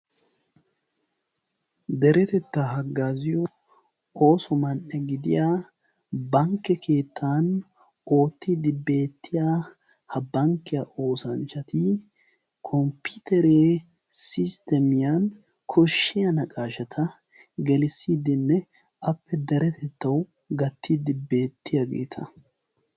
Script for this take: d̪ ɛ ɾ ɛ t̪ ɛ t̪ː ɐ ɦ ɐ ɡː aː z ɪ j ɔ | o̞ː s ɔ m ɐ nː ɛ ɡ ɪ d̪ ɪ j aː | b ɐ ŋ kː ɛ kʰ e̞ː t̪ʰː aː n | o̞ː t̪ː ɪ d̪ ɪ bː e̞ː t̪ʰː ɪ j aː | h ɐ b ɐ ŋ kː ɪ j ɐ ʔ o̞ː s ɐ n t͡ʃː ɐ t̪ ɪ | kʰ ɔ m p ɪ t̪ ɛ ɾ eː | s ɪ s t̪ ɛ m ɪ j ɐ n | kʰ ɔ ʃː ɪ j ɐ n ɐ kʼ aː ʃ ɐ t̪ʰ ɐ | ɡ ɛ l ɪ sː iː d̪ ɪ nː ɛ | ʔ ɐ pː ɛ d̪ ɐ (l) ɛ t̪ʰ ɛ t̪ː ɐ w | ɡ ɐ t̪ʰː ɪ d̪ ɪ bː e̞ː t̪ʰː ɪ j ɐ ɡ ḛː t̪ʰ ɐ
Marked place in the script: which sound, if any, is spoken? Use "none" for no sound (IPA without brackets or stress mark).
ɾ